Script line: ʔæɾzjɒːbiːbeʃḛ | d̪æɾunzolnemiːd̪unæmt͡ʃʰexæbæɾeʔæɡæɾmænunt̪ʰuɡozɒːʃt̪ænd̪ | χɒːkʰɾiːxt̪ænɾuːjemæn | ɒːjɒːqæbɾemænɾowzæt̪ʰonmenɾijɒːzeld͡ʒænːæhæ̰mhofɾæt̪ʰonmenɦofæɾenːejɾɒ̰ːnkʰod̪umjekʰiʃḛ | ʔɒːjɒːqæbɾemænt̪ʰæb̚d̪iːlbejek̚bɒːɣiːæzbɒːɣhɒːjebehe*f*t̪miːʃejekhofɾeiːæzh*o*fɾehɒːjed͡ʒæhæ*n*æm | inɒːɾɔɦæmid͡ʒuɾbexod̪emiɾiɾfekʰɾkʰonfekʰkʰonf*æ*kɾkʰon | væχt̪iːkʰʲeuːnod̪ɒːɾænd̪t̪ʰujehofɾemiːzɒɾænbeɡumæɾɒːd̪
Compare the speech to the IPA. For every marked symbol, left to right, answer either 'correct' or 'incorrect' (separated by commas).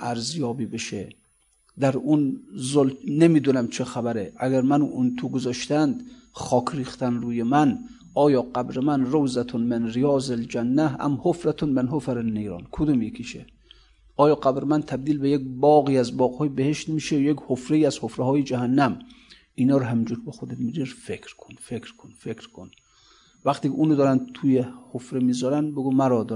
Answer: incorrect, correct, incorrect, incorrect